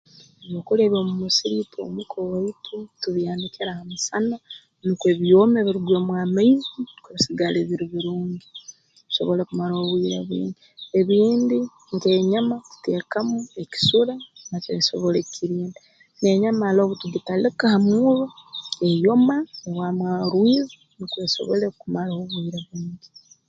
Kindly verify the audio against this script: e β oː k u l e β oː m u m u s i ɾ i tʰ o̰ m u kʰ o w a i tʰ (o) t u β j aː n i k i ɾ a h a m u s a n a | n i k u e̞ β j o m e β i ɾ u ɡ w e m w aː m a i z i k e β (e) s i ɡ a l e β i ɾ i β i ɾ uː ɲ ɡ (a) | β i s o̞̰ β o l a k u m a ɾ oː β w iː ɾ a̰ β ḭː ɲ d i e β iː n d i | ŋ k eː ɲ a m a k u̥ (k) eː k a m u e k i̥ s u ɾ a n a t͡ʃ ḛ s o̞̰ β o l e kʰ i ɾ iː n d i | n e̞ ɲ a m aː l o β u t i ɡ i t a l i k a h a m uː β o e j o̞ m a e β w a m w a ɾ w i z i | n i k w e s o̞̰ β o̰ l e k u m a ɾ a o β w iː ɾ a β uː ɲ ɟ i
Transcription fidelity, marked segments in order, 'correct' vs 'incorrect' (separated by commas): incorrect, incorrect, incorrect, incorrect